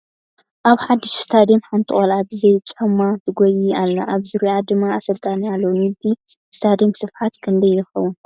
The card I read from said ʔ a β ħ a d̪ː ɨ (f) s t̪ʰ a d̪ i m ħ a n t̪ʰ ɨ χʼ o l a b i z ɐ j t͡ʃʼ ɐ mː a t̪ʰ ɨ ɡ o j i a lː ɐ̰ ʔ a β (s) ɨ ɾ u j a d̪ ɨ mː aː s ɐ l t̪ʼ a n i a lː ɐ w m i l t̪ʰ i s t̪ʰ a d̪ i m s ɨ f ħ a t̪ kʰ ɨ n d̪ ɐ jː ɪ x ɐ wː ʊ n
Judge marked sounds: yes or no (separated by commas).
no, no